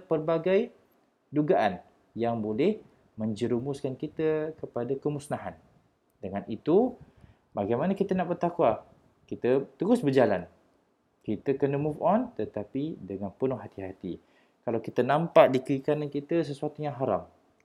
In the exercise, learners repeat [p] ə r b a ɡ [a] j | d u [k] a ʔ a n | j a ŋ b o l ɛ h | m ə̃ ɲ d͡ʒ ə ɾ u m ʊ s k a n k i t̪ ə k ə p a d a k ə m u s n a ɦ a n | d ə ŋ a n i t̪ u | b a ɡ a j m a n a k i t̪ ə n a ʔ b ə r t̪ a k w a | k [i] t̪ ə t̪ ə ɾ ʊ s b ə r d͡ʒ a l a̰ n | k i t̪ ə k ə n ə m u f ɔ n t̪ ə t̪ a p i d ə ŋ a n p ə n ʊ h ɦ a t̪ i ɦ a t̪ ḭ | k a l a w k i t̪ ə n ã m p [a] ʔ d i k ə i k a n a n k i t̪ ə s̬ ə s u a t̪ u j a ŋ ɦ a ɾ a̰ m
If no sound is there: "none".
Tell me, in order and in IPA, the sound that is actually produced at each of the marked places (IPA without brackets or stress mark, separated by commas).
p, a, ɡ, i, a